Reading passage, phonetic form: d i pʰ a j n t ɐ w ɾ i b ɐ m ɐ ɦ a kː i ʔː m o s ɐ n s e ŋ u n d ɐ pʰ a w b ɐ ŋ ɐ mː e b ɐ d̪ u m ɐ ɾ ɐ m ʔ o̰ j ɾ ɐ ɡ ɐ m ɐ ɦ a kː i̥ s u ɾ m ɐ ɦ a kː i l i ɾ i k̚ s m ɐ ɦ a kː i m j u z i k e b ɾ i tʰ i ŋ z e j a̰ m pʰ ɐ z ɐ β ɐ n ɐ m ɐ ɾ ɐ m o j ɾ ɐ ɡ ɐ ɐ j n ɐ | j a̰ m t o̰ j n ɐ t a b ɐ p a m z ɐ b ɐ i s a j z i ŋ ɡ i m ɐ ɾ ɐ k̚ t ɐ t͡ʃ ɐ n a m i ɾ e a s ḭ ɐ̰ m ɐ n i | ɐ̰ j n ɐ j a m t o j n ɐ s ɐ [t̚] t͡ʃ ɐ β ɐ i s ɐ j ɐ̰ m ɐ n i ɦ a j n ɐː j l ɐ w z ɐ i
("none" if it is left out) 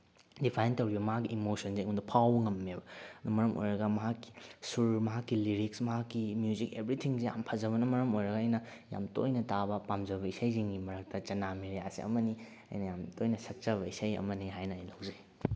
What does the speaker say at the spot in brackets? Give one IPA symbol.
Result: k̚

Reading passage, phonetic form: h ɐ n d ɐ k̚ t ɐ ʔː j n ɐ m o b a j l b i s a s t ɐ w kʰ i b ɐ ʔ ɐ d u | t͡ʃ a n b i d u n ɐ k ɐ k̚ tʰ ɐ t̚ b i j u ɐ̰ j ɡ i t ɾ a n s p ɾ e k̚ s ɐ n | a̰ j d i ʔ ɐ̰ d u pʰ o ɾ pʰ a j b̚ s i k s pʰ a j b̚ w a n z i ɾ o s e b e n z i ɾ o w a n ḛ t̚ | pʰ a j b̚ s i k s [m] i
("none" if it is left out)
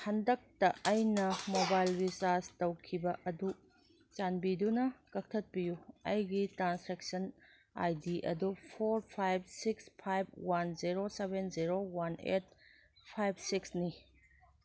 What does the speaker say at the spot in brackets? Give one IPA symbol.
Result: n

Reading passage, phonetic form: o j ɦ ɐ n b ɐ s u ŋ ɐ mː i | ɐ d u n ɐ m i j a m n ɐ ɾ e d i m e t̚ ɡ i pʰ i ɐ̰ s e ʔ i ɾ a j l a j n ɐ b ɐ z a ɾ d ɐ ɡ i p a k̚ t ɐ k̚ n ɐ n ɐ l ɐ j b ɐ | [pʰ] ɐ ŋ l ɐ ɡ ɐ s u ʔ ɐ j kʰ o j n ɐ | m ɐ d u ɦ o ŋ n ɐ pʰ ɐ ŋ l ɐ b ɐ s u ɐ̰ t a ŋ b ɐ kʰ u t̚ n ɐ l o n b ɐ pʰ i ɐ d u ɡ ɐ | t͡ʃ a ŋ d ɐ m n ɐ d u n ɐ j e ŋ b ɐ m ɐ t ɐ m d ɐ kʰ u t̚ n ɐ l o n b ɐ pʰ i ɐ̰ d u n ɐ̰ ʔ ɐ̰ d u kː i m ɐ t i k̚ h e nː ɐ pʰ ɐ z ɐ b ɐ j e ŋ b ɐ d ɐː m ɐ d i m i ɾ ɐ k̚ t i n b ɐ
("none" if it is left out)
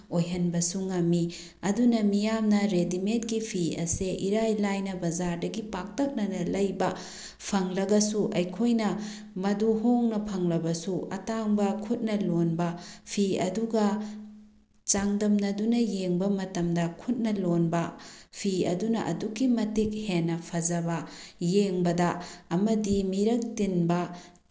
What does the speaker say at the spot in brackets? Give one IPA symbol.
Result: pʰ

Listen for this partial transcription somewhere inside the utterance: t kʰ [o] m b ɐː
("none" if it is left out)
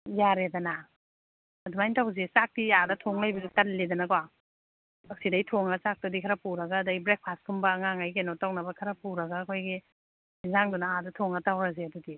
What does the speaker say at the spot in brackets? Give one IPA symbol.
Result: u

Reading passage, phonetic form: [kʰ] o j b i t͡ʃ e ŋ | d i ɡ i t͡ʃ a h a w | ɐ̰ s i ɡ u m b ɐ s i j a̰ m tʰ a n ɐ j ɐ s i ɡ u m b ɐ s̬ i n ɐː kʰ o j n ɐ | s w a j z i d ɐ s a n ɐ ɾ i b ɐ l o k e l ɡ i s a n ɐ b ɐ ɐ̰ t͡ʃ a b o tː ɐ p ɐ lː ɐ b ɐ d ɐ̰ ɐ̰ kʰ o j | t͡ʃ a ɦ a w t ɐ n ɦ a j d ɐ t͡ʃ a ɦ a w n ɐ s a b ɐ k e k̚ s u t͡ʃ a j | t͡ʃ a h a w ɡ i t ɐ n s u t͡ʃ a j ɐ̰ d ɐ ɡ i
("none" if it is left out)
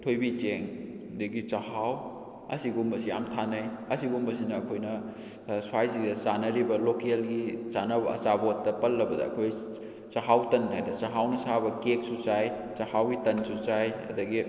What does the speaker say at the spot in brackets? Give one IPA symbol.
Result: tʰ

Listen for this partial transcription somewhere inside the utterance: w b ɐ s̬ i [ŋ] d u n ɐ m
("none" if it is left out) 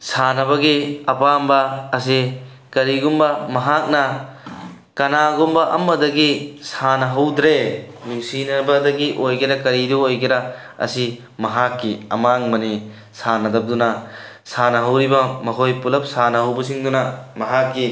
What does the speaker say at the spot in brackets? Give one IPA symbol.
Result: ŋ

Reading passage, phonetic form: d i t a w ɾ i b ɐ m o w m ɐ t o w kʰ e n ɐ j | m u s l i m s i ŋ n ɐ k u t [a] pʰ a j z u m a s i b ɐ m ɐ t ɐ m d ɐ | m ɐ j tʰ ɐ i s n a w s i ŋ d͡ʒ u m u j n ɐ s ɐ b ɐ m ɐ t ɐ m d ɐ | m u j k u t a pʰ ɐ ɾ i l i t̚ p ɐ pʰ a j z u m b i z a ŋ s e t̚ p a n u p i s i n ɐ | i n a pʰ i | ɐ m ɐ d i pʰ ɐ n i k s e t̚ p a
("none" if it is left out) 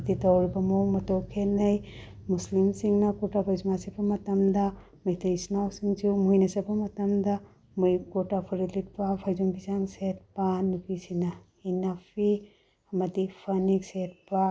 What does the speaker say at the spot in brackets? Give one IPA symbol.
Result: a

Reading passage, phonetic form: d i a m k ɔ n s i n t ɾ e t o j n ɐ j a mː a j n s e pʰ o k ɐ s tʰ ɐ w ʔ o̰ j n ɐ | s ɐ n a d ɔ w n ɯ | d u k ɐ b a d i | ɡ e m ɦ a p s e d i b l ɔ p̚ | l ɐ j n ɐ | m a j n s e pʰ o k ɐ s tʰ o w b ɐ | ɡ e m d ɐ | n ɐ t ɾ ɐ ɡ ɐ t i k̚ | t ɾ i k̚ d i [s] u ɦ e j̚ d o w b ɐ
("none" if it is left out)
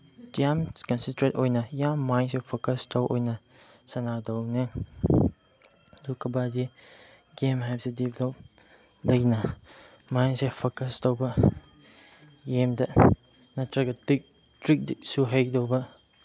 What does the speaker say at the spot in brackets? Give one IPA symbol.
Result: s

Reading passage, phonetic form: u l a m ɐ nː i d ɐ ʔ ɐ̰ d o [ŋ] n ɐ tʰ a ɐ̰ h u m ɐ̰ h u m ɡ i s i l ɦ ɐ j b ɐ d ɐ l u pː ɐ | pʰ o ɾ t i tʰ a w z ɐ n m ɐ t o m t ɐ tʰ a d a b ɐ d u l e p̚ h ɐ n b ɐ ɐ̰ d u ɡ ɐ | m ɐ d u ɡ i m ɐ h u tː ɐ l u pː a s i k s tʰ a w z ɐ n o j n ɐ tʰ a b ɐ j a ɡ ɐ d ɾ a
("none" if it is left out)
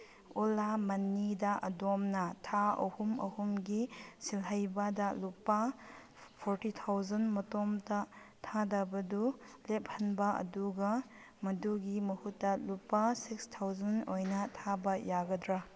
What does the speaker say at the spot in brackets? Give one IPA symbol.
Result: m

